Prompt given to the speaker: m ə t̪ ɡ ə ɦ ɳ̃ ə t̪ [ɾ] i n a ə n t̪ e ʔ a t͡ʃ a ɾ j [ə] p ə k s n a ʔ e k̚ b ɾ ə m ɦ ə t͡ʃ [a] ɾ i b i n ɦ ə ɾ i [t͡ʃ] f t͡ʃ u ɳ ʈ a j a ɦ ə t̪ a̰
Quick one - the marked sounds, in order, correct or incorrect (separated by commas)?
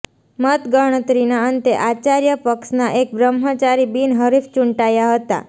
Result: correct, correct, correct, incorrect